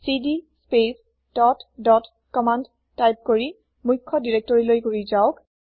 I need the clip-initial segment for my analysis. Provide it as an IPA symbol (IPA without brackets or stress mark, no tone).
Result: s